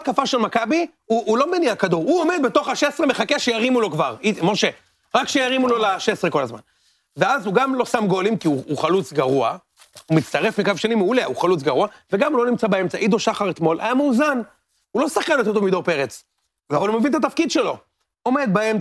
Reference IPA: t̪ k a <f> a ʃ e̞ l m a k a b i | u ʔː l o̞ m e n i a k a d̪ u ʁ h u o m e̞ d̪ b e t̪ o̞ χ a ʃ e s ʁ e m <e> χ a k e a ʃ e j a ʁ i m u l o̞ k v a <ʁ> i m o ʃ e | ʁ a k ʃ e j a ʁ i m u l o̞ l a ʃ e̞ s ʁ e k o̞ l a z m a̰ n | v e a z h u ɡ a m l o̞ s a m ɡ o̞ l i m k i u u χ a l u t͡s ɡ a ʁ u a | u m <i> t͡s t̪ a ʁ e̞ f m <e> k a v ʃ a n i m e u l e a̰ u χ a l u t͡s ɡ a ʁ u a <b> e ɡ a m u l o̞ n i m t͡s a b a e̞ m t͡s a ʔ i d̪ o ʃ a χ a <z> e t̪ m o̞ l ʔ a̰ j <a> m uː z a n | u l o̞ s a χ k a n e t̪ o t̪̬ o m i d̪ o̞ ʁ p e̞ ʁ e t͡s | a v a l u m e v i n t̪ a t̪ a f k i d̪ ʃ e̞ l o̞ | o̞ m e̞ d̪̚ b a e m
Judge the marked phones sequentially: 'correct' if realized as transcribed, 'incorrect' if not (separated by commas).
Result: correct, correct, correct, correct, incorrect, incorrect, incorrect, correct